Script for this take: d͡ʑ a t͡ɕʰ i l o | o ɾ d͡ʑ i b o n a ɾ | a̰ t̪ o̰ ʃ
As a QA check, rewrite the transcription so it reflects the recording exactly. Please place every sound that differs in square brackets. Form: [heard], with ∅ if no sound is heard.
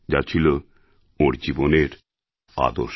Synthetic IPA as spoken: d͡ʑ a t͡ɕʰ i l o | o ɾ d͡ʑ i b o n [e] ɾ | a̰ [d̪] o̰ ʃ